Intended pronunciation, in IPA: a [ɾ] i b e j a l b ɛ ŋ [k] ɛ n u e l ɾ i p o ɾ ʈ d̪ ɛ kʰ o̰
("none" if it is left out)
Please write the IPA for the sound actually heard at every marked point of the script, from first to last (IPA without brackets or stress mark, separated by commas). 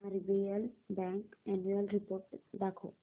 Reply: ɾ, k